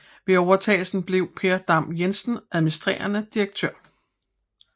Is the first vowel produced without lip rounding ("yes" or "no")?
yes